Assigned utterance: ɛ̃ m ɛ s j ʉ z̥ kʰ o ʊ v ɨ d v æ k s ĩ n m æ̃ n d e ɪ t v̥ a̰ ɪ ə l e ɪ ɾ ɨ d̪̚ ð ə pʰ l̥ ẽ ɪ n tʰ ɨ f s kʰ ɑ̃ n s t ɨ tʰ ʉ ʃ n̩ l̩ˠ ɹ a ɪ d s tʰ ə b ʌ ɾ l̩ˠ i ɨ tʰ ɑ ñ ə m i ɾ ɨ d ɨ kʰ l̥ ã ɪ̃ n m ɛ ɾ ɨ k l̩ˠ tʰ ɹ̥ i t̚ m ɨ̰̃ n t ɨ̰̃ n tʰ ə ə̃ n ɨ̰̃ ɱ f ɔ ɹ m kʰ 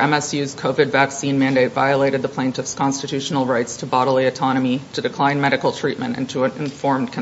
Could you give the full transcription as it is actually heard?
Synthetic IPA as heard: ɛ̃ m ɛ s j ʉ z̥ kʰ o ʊ v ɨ d v æ k s ĩ n m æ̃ n d e ɪ t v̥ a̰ ɪ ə l e ɪ ɾ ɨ d̪̚ ð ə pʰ l̥ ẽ ɪ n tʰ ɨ f s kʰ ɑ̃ n s t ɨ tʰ ʉ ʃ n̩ l̩ˠ ɹ a ɪ t s tʰ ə b ɑ ɾ l̩ˠ i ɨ tʰ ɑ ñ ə m i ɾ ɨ d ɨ kʰ l̥ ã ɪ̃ n m ɛ ɾ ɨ k l̩ˠ tʰ ɹ̥ i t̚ m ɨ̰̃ n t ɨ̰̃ n tʰ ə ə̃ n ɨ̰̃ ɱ f ɔ ɹ m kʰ